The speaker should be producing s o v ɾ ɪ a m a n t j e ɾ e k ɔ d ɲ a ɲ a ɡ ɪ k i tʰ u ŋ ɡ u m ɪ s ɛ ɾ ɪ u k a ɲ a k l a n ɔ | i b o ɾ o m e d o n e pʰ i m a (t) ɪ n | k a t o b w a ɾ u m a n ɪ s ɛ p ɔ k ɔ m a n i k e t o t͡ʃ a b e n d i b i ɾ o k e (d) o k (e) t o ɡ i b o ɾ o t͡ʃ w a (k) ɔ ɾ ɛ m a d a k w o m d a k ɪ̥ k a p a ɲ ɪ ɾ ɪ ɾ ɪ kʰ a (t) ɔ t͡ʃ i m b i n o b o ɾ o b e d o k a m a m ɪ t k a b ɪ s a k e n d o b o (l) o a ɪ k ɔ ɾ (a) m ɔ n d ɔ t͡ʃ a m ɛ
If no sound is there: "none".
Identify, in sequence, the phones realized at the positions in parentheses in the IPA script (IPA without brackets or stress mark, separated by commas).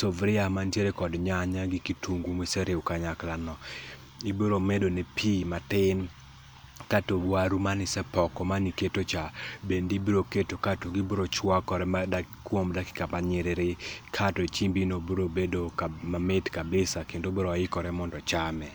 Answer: t, t, a, k, t, ɾ, ɛ